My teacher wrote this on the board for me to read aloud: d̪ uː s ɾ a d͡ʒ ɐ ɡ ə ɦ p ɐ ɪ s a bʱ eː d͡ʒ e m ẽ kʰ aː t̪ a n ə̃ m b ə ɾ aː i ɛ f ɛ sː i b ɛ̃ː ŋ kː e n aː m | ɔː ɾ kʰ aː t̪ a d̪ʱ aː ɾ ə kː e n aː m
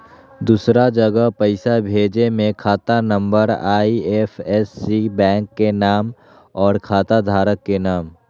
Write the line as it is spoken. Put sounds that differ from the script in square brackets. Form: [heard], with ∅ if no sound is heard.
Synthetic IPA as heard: d̪ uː s ɾ a d͡ʒ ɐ ɡ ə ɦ p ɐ ɪ s a bʱ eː d͡ʒ e m ẽ kʰ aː t̪ a n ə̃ m b ə ɾ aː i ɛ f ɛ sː i b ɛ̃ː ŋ kː e n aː m | ɔː ɾ kʰ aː t̪ a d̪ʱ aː ɾ ə kː e n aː m